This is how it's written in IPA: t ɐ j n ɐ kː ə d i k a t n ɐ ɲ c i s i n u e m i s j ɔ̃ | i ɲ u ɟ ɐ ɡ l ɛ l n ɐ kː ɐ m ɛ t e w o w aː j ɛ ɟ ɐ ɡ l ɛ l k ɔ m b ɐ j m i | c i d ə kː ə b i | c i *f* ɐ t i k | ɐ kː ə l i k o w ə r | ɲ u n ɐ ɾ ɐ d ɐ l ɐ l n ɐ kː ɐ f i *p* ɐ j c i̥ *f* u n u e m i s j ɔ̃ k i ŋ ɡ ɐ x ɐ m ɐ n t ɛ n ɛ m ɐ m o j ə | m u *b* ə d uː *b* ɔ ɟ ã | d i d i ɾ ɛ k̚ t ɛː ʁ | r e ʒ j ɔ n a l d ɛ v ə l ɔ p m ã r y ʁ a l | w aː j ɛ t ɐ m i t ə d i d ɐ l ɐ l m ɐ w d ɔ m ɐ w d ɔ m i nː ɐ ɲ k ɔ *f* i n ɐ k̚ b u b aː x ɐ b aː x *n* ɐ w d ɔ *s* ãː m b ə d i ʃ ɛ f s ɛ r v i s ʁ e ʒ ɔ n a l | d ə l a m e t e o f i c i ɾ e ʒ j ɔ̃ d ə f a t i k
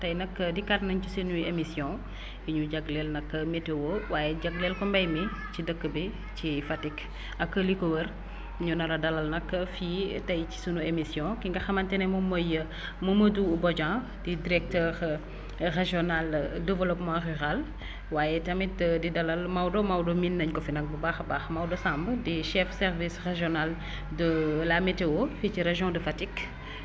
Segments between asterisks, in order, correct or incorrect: correct, incorrect: t, incorrect: s, incorrect: m, correct, correct, incorrect: m, correct

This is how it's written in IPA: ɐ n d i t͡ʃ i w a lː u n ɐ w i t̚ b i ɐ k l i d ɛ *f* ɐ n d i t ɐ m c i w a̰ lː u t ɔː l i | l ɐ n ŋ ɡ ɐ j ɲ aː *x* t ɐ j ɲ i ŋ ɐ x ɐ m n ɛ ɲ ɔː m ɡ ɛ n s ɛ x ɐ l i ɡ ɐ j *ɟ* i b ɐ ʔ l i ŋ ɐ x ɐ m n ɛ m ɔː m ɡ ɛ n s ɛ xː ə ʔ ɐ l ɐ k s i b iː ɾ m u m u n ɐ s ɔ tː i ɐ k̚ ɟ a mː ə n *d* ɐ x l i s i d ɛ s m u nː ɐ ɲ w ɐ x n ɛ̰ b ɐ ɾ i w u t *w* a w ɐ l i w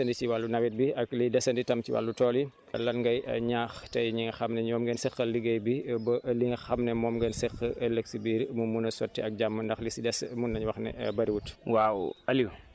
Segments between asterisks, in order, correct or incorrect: incorrect: s, correct, incorrect: b, correct, correct

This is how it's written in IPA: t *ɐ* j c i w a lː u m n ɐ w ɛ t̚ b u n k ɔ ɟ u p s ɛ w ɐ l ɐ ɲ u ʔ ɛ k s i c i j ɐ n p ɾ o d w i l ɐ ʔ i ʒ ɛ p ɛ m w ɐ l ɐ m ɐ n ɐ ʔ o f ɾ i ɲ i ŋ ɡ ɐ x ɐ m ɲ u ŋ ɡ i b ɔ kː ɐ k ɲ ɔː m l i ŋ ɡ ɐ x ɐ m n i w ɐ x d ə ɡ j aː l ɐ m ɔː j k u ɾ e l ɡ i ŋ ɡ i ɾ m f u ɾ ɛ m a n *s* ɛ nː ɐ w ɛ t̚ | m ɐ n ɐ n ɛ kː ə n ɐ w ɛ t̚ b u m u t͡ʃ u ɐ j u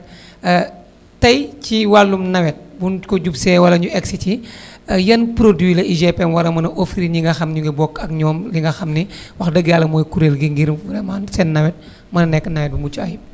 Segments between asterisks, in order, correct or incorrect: correct, correct

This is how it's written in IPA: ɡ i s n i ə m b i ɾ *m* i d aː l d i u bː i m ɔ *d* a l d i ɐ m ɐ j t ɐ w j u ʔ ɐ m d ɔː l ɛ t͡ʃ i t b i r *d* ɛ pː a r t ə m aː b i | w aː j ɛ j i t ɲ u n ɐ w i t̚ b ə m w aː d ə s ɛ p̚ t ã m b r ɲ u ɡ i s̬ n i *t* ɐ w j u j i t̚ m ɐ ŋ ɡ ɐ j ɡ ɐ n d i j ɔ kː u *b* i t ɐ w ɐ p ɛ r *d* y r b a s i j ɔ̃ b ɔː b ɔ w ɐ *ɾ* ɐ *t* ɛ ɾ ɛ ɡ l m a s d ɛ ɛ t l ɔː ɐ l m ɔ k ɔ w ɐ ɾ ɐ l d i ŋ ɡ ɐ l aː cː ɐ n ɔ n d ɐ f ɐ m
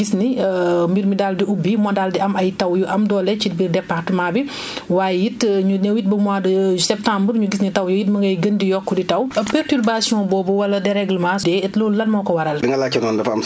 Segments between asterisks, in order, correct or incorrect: correct, correct, correct, correct, incorrect: d, incorrect: t, incorrect: l, incorrect: d

